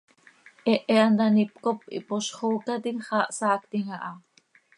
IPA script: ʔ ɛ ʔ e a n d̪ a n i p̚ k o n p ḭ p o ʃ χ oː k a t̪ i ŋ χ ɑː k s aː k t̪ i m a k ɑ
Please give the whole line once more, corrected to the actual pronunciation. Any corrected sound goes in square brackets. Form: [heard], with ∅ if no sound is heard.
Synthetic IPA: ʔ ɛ ʔ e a n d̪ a n i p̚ k o [∅] p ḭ p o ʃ χ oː k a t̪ i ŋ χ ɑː [ʔ] s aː k t̪ i [ŋ] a [ʔ] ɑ